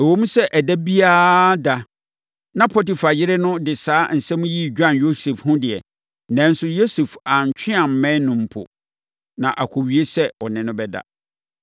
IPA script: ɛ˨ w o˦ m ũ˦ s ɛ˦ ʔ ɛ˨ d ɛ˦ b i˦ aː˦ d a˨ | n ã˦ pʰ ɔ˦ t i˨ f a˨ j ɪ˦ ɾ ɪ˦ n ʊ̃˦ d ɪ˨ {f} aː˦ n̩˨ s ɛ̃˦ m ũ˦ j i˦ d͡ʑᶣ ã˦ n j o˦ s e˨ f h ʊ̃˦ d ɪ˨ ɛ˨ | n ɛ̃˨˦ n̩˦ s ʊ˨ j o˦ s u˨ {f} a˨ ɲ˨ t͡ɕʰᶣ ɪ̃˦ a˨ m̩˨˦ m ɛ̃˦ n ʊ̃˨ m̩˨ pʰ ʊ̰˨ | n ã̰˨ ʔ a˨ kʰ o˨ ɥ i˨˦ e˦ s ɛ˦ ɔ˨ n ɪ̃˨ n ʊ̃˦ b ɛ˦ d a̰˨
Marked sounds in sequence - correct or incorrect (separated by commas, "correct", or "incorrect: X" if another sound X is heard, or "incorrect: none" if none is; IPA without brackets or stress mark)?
incorrect: s, correct